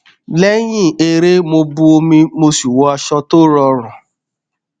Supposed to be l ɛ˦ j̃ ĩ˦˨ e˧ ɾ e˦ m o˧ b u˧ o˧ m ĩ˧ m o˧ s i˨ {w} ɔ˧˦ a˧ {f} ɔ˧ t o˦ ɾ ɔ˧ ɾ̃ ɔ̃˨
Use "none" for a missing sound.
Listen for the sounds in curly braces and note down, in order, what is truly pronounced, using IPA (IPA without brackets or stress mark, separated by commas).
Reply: w, ʃ